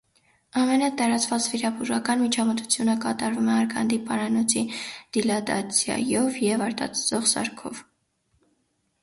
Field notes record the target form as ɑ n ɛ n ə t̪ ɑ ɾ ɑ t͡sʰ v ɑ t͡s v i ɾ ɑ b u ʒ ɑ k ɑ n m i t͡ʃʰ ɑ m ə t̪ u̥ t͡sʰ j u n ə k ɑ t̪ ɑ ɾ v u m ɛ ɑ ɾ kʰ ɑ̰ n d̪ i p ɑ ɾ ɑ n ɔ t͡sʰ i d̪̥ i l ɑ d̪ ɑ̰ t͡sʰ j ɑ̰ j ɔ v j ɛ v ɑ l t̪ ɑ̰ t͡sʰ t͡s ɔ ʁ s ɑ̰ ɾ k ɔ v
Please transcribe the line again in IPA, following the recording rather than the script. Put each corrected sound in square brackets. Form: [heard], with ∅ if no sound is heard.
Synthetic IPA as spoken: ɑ [m] ɛ n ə t̪ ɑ ɾ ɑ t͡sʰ v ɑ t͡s v i ɾ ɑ b u ʒ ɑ k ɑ n m i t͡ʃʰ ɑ m ə t̪ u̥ t͡sʰ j u n ə k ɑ t̪ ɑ ɾ v u m ɛ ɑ ɾ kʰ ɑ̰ n d̪ i p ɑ ɾ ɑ n ɔ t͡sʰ i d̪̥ i l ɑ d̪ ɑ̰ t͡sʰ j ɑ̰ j ɔ v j ɛ v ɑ [ɾ] t̪ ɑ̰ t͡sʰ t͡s ɔ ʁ s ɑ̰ ɾ [kʰ] ɔ v